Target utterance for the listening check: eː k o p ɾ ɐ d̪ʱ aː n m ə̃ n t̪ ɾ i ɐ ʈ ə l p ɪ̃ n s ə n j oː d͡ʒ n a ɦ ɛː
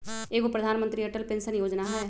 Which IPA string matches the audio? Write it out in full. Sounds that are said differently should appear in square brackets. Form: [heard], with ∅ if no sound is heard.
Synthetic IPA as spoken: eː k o p ɾ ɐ d̪ʱ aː n m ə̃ n t̪ ɾ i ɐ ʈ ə l p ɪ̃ n s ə n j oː d͡ʒ n a ɦ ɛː